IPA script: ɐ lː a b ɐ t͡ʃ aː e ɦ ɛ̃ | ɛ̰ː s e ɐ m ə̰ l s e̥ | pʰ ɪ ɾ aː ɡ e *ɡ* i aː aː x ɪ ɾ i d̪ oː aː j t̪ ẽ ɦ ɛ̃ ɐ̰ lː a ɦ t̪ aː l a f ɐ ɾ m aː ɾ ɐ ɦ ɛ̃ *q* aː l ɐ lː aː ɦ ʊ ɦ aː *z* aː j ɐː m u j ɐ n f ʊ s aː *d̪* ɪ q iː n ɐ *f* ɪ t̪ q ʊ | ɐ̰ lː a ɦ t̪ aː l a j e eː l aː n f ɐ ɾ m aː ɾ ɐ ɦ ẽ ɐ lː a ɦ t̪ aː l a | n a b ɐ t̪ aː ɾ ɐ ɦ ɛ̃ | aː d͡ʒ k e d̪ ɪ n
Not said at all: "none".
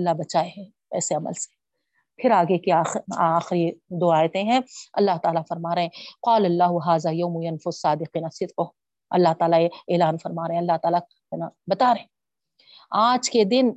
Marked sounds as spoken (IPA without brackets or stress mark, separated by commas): k, q, z, d̪, s